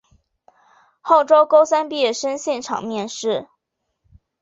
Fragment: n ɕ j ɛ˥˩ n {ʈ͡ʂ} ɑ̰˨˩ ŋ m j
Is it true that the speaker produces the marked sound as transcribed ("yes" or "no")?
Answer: no